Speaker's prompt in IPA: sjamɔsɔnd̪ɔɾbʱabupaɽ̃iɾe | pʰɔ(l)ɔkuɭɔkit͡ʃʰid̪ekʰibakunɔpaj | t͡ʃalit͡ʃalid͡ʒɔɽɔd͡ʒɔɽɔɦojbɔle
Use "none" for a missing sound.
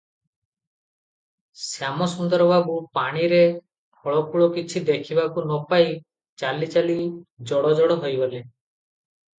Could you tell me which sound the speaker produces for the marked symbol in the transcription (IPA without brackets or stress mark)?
ɭ